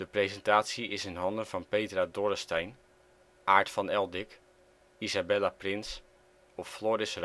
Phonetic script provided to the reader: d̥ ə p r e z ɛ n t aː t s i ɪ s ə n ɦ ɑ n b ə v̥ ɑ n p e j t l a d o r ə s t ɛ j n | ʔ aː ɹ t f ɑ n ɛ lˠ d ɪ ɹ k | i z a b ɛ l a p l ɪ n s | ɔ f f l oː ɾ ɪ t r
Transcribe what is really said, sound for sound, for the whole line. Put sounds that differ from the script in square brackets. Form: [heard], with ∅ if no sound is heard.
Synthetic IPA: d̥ ə p r e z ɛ n t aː t s i ɪ s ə n ɦ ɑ n [d] ə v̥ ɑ n p e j t [r] a d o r ə s t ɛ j n | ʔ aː ɹ t f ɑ n ɛ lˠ d ɪ [∅] k | i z a b ɛ l a p [r] ɪ n s | ɔ f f l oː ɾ ɪ [s] r